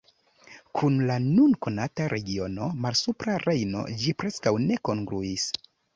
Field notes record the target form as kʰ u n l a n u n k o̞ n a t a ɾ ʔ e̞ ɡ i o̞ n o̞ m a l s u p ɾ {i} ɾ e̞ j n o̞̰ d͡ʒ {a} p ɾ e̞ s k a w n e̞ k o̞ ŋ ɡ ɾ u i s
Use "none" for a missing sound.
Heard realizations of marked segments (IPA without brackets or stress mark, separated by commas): a, i